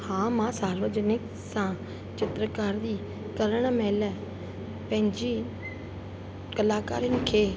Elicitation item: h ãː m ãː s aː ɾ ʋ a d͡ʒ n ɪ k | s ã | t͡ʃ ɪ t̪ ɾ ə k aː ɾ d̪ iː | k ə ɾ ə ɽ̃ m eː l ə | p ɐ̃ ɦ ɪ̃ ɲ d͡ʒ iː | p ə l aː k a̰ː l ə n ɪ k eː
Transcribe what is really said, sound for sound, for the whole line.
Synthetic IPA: h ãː m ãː s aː ɾ ʋ ə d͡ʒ n ɪ k | s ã | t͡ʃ ɪ t̪ ɾ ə k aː ɾ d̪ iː | k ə ɾ ə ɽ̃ m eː l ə | p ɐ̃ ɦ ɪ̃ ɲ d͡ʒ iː | k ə l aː k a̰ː ɾ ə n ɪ kʰ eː